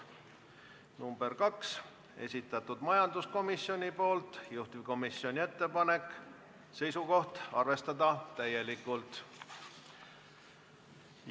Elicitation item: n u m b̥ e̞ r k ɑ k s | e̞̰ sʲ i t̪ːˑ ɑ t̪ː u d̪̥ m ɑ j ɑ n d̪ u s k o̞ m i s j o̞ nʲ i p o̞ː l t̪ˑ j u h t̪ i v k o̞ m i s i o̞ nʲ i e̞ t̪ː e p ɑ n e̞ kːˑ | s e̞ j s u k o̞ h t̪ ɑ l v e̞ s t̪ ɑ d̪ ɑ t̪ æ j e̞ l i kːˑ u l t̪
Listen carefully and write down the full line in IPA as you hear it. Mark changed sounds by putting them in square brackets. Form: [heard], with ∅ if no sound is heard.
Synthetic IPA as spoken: n u m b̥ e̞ r k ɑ k s | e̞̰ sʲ i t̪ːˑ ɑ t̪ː u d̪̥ m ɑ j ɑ n d̪ u s k o̞ m i s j o̞ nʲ i p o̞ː l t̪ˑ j u h t̪ i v k o̞ m i s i o̞ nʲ i e̞ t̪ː e p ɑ n e̞ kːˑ | s e̞ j s u k o̞ h t̪ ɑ [r] v e̞ s t̪ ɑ d̪ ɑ t̪ æ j e̞ l i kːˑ u l t̪